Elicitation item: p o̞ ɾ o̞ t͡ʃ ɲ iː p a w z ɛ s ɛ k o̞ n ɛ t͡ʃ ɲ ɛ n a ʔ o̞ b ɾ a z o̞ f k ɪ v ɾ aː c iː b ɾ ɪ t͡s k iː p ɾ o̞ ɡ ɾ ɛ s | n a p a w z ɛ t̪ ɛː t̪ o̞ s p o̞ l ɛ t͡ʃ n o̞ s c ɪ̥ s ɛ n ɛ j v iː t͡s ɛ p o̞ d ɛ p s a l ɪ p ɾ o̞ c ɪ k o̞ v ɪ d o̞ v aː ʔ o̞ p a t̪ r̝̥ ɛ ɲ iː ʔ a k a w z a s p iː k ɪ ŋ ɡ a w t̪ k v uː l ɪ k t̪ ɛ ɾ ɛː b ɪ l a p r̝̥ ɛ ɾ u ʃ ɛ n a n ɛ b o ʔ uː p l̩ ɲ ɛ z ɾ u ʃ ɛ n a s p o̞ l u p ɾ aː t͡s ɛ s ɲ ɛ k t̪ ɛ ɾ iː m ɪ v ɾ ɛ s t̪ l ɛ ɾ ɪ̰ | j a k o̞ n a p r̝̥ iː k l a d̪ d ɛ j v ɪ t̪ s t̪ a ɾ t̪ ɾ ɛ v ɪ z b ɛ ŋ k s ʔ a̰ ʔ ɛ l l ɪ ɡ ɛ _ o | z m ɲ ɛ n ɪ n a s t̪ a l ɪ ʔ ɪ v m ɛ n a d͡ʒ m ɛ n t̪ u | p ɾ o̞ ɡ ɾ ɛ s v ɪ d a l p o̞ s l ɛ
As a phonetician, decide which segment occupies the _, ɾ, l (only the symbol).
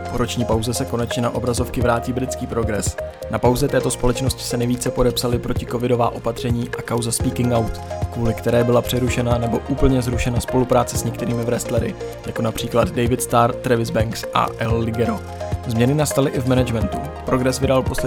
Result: ɾ